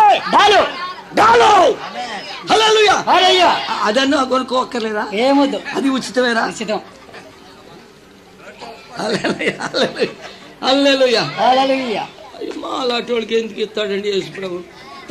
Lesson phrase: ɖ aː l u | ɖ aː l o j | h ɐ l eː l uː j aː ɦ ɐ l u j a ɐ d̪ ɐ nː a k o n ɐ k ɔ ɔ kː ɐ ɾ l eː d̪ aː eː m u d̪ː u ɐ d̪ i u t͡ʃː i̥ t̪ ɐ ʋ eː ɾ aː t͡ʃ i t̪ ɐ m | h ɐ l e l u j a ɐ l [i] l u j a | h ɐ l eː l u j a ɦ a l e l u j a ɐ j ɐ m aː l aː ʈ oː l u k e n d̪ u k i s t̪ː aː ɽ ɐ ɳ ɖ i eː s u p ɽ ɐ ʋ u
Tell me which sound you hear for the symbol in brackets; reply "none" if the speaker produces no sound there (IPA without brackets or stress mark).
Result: e